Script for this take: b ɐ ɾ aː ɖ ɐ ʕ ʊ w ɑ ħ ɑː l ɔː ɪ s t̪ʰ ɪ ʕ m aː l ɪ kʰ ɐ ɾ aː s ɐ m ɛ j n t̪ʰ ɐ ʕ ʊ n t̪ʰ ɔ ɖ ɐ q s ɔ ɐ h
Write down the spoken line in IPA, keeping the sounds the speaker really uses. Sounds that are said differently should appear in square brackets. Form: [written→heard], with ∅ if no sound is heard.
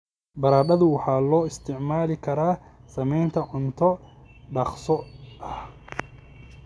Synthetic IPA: b ɐ ɾ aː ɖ ɐ [ʕ→ð] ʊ w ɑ ħ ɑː l ɔː ɪ s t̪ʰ ɪ ʕ m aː l ɪ kʰ ɐ ɾ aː s ɐ m ɛ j n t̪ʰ ɐ ʕ ʊ n t̪ʰ ɔ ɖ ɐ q s ɔ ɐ h